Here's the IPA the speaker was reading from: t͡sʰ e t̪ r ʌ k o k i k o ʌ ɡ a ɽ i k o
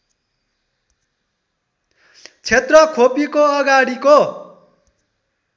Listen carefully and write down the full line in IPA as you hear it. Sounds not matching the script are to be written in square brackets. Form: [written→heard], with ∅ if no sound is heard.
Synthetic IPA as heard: t͡sʰ e t̪ r ʌ [k→kʰ] o [k→p] i k o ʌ ɡ a ɽ i k o